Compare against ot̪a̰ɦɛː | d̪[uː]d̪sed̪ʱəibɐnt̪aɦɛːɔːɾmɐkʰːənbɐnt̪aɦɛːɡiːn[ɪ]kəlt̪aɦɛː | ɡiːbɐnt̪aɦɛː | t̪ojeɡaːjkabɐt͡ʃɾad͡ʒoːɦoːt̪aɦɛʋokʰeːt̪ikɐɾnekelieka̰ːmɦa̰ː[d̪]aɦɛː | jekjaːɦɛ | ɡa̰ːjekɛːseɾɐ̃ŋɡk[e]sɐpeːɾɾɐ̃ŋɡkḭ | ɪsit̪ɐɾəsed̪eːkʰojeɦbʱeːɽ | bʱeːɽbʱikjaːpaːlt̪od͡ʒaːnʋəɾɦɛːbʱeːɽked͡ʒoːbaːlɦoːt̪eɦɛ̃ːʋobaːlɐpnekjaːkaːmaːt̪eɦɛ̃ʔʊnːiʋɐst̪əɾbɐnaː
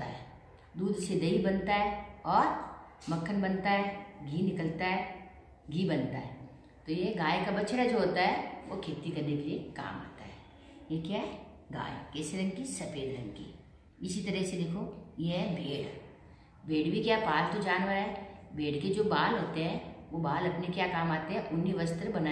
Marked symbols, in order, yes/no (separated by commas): yes, yes, no, no